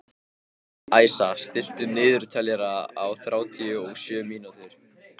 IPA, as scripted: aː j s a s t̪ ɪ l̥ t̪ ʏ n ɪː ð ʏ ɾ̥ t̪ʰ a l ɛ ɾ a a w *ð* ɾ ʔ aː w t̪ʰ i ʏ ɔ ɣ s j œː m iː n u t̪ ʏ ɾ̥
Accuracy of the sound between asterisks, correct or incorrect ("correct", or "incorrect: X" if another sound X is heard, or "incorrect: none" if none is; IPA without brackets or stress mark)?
incorrect: θ